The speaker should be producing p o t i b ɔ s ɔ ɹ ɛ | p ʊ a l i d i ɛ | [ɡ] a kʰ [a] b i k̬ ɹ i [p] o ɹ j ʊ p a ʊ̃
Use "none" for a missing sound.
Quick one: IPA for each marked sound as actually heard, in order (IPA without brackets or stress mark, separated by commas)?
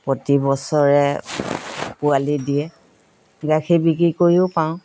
ɡ, i, k